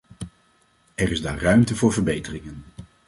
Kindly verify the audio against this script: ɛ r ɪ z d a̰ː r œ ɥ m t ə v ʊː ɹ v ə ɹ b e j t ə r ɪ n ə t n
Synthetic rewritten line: ɛ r ɪ z d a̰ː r œ ɥ m t ə v ʊː ɹ v ə ɹ b e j t ə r ɪ ŋ ə n